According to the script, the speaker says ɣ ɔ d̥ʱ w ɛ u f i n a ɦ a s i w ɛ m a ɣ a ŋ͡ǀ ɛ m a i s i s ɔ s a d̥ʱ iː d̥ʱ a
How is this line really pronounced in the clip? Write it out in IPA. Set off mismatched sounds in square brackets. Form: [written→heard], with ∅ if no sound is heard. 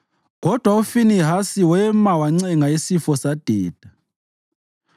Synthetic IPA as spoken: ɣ ɔ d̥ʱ w [ɛ→a] u f i n [a→i] ɦ a s i w ɛ m a [ɣ→w] a ŋ͡ǀ ɛ [m→ŋ] a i s i [s→f] ɔ s a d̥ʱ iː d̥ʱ a